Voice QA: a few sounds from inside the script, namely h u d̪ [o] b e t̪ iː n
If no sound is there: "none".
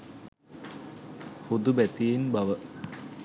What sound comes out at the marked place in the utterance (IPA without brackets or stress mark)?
u